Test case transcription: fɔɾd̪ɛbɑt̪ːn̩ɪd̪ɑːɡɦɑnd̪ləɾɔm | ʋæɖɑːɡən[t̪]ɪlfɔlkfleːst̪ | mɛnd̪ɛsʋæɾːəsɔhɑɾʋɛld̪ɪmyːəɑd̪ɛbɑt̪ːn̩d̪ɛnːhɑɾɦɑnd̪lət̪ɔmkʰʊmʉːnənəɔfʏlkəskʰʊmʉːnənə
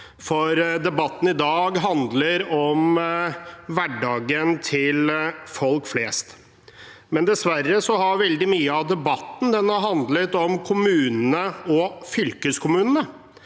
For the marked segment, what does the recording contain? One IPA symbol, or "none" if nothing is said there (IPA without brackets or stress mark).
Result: t̪ʰ